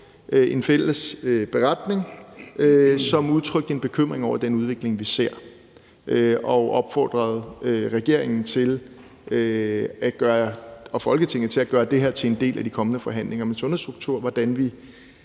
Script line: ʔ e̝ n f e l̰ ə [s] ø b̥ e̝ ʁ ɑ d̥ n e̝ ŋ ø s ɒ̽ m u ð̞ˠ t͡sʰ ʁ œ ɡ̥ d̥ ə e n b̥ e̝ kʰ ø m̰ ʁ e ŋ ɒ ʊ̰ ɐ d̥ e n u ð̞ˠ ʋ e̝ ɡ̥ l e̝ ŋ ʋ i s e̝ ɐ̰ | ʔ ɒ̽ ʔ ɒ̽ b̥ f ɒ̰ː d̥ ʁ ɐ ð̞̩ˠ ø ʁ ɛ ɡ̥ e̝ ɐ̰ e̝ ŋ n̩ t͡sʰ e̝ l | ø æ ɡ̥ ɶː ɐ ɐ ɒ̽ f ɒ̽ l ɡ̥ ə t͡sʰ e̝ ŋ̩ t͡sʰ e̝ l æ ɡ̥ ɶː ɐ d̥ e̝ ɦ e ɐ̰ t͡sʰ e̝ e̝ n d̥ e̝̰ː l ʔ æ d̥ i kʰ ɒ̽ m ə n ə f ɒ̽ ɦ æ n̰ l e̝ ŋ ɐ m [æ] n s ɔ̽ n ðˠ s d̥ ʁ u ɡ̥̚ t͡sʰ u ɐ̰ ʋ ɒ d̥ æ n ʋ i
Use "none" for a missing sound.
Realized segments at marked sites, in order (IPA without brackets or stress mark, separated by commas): s, e